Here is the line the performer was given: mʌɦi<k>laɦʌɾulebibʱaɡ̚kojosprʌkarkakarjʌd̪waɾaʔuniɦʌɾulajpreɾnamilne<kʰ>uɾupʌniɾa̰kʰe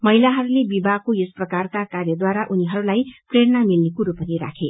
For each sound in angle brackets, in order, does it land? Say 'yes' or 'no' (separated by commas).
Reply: no, no